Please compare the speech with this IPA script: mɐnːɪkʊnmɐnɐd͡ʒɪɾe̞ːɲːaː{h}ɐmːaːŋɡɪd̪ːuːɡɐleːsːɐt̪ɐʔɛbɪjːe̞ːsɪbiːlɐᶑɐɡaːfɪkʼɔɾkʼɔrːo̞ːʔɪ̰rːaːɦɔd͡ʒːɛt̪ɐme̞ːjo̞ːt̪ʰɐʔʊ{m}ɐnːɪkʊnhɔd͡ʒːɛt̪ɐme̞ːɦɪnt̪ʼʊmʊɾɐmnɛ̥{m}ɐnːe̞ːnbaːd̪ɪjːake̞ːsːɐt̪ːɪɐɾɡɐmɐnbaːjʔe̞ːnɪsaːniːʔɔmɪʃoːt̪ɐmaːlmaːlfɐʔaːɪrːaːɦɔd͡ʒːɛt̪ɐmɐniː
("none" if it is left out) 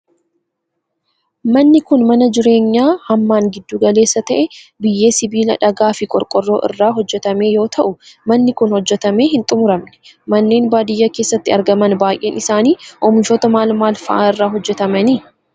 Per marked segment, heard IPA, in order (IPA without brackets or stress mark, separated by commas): h, m, m